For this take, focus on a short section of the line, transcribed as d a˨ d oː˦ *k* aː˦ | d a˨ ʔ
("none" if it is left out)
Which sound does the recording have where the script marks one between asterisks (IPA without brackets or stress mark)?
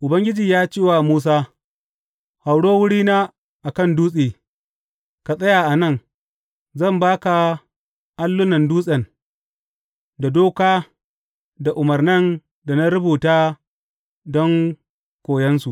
k